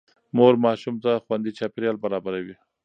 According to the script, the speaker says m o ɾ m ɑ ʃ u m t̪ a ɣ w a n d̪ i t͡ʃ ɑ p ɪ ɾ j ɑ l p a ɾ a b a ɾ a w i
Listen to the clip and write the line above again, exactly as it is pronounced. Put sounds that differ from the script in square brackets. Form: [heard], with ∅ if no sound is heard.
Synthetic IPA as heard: m o ɾ m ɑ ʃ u m t̪ a [x] w a n d̪ i t͡ʃ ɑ p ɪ ɾ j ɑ l [b] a ɾ [ɑ] b a ɾ a w i